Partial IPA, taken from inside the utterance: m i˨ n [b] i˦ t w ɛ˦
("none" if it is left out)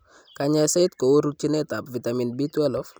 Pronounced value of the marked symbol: b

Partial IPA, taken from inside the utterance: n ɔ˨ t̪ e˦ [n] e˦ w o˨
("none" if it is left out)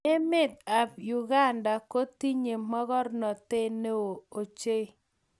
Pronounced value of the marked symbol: n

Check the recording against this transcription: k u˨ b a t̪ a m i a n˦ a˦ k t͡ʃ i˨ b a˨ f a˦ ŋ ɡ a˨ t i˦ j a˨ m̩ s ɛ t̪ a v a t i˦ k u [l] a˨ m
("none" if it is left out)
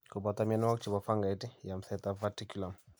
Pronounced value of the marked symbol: l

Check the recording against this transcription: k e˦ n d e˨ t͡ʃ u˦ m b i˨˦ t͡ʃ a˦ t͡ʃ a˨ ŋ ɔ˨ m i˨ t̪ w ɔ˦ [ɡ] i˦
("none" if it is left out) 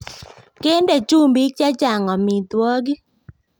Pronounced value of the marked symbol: ɡ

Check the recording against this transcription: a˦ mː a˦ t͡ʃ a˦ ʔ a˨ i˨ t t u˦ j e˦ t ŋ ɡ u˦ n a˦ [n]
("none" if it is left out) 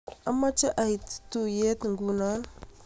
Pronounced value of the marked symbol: n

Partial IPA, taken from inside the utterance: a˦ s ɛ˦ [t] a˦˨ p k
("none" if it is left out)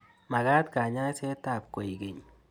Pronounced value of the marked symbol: t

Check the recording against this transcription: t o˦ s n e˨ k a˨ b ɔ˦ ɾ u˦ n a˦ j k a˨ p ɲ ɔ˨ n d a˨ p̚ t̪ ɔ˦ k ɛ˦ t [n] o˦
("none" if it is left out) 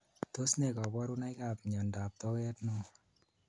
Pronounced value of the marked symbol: n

